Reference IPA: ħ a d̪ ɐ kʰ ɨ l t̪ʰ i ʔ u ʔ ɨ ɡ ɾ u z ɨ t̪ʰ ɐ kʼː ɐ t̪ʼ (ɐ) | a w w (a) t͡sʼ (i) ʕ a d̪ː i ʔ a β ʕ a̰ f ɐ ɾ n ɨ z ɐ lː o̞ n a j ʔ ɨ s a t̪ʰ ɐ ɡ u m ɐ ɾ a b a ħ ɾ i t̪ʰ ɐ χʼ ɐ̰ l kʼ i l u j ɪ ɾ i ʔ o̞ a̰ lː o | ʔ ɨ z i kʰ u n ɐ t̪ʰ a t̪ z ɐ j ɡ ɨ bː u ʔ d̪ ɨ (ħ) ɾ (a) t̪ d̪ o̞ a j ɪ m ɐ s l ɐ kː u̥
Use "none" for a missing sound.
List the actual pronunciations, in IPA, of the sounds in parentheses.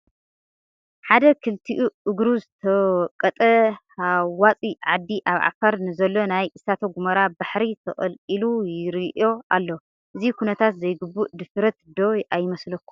ɐ, a, i, f, ɐ

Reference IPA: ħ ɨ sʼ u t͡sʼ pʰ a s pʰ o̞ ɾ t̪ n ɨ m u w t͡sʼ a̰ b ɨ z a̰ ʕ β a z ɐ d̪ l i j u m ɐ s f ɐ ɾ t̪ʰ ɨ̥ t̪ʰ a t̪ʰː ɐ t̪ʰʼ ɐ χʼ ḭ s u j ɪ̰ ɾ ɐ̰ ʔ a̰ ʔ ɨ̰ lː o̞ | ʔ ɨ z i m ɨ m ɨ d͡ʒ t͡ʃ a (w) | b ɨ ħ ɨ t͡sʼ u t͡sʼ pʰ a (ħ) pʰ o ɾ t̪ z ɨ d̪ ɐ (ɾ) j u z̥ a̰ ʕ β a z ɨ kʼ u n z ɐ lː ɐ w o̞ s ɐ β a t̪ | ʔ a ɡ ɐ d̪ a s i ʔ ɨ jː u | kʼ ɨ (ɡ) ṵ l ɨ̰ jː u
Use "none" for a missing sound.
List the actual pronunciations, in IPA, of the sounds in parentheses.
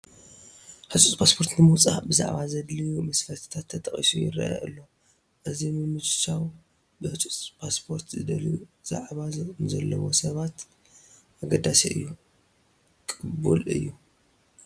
w, s, l, b

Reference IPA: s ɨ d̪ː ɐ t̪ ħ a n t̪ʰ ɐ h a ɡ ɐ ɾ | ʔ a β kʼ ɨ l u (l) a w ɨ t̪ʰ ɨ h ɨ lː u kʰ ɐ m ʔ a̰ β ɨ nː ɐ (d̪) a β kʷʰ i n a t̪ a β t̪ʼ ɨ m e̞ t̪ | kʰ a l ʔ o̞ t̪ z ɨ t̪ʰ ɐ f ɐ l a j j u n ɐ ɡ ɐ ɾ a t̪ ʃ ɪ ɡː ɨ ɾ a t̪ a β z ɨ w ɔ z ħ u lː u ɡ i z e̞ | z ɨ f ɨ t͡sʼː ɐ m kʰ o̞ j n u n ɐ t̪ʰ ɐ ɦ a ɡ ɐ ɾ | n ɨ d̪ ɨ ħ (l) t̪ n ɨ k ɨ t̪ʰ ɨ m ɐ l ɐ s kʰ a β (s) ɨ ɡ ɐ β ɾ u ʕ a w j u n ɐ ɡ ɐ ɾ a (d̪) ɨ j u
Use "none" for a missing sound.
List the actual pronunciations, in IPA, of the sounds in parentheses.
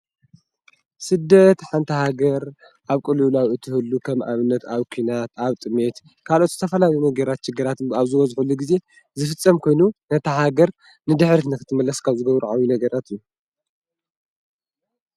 l, t̪, ɾ, z, t̪

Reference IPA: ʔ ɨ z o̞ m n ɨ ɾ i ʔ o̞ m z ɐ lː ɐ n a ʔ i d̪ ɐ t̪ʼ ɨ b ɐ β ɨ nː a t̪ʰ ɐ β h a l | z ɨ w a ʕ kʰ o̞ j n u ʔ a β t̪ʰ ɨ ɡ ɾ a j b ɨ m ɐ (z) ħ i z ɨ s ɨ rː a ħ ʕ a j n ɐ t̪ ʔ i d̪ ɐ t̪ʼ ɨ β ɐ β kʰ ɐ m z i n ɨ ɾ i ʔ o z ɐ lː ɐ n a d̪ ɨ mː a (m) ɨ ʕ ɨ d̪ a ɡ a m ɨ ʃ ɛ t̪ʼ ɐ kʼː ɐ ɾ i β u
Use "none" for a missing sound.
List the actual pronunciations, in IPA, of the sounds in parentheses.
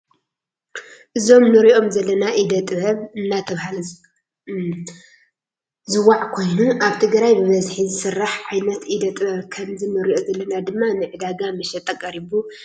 z, n

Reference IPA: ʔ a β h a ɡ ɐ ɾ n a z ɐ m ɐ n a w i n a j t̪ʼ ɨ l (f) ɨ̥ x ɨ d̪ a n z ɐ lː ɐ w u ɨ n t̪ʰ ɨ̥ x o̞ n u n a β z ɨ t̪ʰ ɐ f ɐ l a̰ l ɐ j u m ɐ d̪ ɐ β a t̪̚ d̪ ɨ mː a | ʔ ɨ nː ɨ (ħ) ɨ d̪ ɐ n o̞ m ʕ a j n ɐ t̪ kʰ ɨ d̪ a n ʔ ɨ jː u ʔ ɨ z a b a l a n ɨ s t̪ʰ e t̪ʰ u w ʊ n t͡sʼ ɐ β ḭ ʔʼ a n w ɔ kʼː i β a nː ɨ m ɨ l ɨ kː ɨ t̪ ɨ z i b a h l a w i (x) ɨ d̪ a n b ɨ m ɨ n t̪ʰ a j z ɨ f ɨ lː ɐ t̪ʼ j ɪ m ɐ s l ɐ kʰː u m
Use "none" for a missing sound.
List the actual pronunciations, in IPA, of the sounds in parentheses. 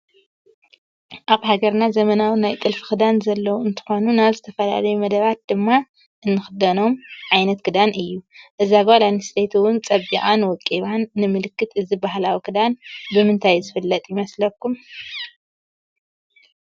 f, x, k

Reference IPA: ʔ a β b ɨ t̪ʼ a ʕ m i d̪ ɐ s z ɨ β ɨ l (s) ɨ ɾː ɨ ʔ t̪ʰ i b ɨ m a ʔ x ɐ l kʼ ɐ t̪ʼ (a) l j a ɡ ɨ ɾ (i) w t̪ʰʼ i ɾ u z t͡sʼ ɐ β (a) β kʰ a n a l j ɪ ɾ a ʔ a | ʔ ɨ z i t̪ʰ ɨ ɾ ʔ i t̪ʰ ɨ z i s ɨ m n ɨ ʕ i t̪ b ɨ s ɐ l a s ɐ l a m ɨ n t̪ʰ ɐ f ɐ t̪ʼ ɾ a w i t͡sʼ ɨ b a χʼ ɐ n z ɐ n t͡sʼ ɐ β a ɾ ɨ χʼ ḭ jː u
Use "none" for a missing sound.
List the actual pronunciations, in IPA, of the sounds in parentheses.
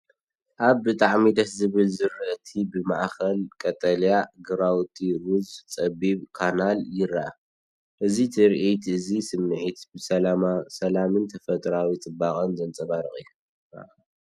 z, ɐ, a, i

